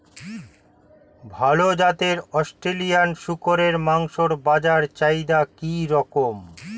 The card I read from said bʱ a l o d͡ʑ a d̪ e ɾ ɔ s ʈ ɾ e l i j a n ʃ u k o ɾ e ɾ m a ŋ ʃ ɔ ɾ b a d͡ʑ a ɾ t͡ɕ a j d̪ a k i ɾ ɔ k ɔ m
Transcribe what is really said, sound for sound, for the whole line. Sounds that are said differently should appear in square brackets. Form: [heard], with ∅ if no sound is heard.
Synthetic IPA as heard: bʱ a l o d͡ʑ a [t̪] e ɾ ɔ s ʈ ɾ e l i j a n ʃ u k o ɾ e ɾ m a ŋ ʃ [o] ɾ b a d͡ʑ a ɾ t͡ɕ a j d̪ a k i ɾ ɔ k [o] m

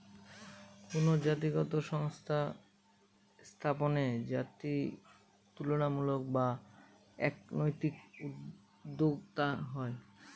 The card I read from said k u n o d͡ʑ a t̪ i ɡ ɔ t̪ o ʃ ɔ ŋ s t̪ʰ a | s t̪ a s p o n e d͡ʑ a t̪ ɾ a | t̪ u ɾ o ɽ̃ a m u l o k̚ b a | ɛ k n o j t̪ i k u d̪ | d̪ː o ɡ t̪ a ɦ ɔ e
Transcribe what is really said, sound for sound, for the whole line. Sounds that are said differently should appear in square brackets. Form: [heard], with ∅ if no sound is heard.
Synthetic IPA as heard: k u n o d͡ʑ a t̪ i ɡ ɔ t̪ o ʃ ɔ ŋ s t̪ʰ a | s [t̪ʰ] a [∅] p o n e d͡ʑ a t̪ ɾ [i] | t̪ u [l] o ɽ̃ a m u l o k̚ b a | ɛ k n o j t̪ i k u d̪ | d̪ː o ɡ t̪ a ɦ ɔ e

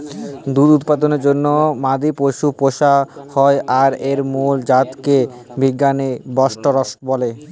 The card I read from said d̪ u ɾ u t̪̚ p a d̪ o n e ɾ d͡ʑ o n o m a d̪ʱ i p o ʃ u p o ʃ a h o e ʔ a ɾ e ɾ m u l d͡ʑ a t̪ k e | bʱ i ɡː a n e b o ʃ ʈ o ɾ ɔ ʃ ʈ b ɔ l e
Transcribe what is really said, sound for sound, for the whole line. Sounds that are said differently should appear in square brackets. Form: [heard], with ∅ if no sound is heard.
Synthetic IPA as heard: d̪ u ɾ u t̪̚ p a d̪ o n e ɾ d͡ʑ o [nː] o m a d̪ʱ i p o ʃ u p o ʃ a h [ɔ] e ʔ a ɾ e ɾ m u l d͡ʑ a t̪ k e | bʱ i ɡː a n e b [ɔ] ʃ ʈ o ɾ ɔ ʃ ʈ b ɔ l e

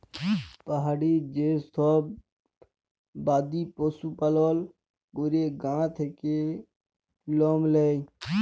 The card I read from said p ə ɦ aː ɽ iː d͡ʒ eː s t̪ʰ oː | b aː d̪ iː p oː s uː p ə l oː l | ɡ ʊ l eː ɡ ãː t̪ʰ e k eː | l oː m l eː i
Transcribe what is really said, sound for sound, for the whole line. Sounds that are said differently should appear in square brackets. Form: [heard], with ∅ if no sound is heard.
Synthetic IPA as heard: p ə ɦ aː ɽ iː d͡ʒ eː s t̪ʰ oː | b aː d̪ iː p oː s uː p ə l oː l | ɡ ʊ [ɾ] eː ɡ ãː t̪ʰ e k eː | l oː m l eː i

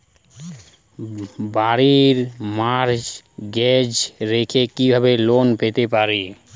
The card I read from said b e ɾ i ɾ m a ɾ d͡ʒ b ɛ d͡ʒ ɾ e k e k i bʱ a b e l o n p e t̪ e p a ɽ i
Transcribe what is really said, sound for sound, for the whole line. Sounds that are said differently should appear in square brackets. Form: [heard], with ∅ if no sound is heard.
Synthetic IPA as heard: b [a] ɾ i ɾ m a ɾ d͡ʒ [ɡ] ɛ d͡ʒ ɾ e [kʰ] e k i bʱ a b e l o n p e t̪ e p a [ɾ] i

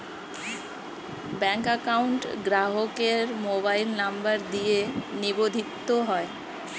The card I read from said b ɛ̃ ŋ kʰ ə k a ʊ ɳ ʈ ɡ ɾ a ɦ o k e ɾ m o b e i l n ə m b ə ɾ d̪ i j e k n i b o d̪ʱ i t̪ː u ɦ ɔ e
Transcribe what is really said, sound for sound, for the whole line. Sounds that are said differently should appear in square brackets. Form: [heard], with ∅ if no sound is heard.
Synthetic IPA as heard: b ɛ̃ ŋ [k] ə k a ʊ ɳ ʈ ɡ ɾ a ɦ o k e ɾ m o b [a] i l n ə m b ə ɾ d̪ i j e [∅] n i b o d̪ʱ i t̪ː [o] ɦ ɔ e

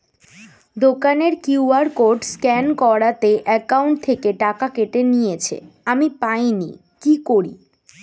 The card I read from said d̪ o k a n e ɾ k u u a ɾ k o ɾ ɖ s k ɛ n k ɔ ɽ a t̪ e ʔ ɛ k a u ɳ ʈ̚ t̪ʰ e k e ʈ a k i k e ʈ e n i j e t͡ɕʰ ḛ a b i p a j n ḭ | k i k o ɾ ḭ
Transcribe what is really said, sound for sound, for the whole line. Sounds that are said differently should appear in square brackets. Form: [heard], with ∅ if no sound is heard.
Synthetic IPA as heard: d̪ o k a n e ɾ k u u a ɾ k o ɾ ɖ s k ɛ n k ɔ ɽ a t̪ e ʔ ɛ k a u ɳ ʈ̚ t̪ʰ e k e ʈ a k [a] k e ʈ e n i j e t͡ɕʰ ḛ a [m] i p a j n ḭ | k i k o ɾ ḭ

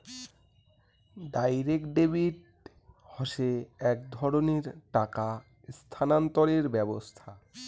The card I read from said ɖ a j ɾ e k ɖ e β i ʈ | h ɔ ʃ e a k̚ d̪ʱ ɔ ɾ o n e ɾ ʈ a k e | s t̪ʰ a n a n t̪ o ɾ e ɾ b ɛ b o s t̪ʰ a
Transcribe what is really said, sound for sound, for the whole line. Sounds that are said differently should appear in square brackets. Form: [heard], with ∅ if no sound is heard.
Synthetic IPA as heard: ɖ a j ɾ e k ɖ e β i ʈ | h ɔ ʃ e [ɛ] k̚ d̪ʱ ɔ ɾ o n e ɾ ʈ a k [a] | s t̪ʰ a n a n t̪ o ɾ e ɾ b ɛ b o s t̪ʰ a

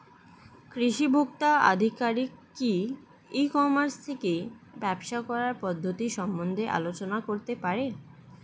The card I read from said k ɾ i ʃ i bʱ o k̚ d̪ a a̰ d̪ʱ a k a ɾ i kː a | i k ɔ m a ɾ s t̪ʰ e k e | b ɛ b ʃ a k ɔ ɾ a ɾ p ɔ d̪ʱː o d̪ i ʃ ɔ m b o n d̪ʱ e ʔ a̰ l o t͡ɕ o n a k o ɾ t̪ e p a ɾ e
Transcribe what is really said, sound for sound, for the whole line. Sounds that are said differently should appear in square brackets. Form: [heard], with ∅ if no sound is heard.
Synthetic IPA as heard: k ɾ i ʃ i bʱ o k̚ [t̪] a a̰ d̪ʱ [i] k a ɾ i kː [i] | i k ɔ m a ɾ s t̪ʰ e k e | b ɛ b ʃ a k ɔ ɾ a ɾ p ɔ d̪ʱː o [t̪] i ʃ ɔ m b o n d̪ʱ e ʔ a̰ l o t͡ɕ o n a k o ɾ t̪ e p a ɾ e

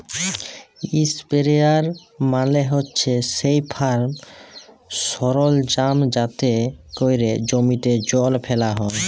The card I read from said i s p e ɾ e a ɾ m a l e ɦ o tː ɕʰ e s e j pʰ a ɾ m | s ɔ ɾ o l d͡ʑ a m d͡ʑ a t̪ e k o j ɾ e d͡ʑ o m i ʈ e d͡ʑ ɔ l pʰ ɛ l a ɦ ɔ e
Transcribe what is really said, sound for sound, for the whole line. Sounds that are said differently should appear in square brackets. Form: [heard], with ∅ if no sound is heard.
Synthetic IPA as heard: i s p e ɾ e a ɾ m a l e ɦ o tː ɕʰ e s e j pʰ a ɾ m | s ɔ ɾ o l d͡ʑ a m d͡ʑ a t̪ e k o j ɾ e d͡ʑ o m i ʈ e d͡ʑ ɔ l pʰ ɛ l a ɦ ɔ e

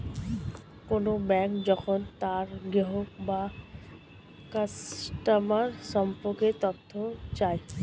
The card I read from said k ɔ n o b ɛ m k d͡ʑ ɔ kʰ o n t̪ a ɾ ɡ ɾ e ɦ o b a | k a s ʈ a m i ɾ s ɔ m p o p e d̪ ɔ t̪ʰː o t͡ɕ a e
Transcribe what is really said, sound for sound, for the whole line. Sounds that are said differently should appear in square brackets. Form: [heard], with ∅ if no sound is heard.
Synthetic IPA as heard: k [o] n o b ɛ [ŋ] k d͡ʑ ɔ kʰ o n t̪ a ɾ ɡ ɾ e ɦ o b a | k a s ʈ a m [a] ɾ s ɔ m p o [k] e [t̪] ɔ t̪ʰː o t͡ɕ a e

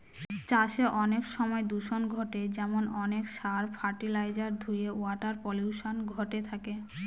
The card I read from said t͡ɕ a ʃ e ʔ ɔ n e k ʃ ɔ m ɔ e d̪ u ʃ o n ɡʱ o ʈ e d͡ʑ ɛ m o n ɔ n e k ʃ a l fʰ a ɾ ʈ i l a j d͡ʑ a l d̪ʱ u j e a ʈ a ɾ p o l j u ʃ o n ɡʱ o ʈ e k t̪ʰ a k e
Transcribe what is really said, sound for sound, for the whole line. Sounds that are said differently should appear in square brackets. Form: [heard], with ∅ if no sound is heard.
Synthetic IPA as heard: t͡ɕ a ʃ e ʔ ɔ n e k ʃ ɔ m ɔ e d̪ u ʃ o n ɡʱ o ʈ e d͡ʑ ɛ m o n ɔ n e k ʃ a [ɾ] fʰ a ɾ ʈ i l a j d͡ʑ a [ɾ] d̪ʱ u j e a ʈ a ɾ p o l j u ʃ o n ɡʱ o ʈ e [∅] t̪ʰ a k e

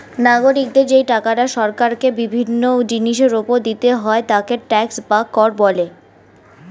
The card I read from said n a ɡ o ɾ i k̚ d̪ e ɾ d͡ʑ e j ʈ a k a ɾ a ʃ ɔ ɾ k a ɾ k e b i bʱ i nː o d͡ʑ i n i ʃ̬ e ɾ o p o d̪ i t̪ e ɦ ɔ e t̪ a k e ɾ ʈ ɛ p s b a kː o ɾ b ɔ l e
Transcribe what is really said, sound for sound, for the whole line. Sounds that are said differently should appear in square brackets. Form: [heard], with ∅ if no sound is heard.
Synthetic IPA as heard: n a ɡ o ɾ i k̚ d̪ e ɾ d͡ʑ e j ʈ a k a ɾ a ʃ ɔ ɾ k a ɾ k e b i bʱ i nː o d͡ʑ i n i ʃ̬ e ɾ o p o d̪ i t̪ e ɦ ɔ e t̪ a k e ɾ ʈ ɛ [k] s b a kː [ɔ] ɾ b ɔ l e

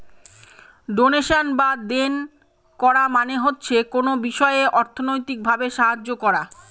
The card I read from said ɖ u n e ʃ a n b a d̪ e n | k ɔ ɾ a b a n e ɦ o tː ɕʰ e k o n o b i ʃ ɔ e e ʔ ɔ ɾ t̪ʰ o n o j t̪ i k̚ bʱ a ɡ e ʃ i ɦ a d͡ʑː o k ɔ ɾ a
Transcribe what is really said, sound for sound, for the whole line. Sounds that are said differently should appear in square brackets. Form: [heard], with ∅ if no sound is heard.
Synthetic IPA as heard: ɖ [o] n e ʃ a n b a d̪ e n | k ɔ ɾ a [m] a n e ɦ o tː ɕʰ e k o n o b i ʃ ɔ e e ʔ ɔ ɾ t̪ʰ o n o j t̪ i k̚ bʱ a [b] e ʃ [a] ɦ a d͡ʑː o k ɔ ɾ a

